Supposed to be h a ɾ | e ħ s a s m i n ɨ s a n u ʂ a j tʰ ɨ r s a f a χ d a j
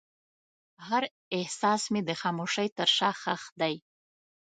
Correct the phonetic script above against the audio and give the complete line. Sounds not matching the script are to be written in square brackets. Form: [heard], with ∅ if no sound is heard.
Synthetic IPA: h a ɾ | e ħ s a s m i [d] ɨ [χ] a [m] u ʂ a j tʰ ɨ r [ʂ] a [χ] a χ d a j

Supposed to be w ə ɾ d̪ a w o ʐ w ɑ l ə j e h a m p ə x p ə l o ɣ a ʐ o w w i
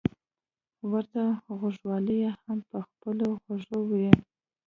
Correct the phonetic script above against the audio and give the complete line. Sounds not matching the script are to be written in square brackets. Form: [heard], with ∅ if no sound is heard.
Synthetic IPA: w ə ɾ [t̪] a [ɣ] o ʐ w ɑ l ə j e h a m p ə x p ə l o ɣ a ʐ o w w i

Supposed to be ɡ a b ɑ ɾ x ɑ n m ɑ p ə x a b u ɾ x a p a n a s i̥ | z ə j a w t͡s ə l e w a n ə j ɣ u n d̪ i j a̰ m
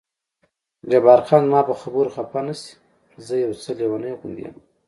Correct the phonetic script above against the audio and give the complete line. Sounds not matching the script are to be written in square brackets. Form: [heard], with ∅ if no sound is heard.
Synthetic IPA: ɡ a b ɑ ɾ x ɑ n m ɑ p ə x a b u ɾ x a p a n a s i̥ | z ə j a w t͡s ə l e w a n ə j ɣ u n d̪ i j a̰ m

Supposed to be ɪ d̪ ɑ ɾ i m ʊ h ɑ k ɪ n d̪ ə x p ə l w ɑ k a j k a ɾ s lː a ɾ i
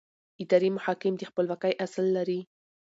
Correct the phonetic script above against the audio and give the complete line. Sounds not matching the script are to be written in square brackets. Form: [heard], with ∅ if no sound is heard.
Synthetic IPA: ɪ d̪ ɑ ɾ i m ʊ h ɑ k ɪ [m] d̪ ə x p ə l w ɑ k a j [ʔ] a [∅] s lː a ɾ i

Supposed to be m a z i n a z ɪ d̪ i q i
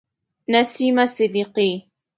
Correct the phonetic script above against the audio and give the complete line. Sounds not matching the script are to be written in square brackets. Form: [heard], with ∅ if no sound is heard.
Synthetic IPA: [n] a [s] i [m] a [s] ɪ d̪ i q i

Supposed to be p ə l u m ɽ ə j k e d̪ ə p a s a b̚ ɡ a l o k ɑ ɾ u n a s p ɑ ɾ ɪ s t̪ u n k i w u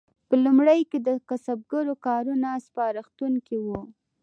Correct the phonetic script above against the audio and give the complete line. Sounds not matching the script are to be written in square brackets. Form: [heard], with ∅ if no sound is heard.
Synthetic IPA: p ə l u m ɽ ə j k e d̪ ə [k] a s a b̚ ɡ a [ɾ] o k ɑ ɾ u n a s p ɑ ɾ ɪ [x] t̪ u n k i w u

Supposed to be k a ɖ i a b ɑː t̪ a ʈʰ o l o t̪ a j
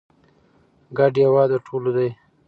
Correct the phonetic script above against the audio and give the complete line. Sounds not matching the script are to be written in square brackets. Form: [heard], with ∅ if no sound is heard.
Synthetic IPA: [ɡ] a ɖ [j] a [w] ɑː [d̪] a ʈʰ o l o [d̪] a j

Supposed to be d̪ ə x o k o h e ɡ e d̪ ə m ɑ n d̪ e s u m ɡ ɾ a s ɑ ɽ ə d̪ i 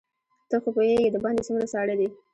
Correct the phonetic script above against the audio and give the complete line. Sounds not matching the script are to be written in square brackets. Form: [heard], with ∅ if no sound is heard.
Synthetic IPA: [t̪] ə x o [p] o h e ɡ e d̪ ə [b] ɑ n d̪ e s u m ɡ ɾ a s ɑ ɽ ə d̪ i

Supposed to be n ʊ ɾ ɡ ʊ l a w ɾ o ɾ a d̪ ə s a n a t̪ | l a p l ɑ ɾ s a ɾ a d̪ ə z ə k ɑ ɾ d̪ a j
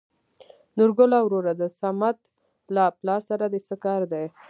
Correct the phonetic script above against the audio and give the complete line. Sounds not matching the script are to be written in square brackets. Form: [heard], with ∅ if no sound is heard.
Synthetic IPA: n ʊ ɾ ɡ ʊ l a w ɾ o ɾ a d̪ ə s a [m] a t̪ | l a p l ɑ ɾ s a ɾ a d̪ ə [s] ə k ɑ ɾ d̪ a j

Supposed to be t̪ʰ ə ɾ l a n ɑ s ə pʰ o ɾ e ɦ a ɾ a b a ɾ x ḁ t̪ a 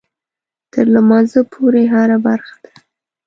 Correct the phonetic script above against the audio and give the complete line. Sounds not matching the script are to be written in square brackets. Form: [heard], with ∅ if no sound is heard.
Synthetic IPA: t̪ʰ ə ɾ l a [m] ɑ [z] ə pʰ o ɾ e ɦ a ɾ a b a ɾ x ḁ [d̪] a

